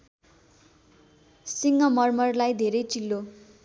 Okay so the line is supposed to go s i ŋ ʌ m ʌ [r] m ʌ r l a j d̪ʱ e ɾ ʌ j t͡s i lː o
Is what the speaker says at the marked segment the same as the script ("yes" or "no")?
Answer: yes